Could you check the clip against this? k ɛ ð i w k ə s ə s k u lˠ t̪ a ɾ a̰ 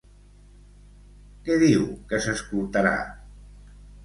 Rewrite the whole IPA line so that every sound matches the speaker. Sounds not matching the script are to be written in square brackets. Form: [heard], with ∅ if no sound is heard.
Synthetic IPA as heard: k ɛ ð i w k ə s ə s k u lˠ t̪ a ɾ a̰